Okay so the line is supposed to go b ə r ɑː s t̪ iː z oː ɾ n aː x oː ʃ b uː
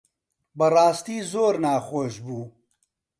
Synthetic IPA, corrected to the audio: b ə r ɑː s t̪ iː z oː ɾ n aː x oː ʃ b uː